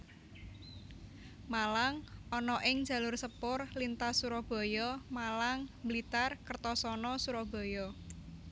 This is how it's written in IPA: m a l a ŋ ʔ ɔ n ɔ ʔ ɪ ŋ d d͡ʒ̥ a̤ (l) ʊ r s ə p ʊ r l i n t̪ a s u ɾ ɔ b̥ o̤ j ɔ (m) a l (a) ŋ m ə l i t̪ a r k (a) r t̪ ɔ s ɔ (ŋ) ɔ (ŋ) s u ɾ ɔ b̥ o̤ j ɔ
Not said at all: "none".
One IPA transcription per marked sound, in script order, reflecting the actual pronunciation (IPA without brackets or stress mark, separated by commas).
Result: l, m, a, ə, n, none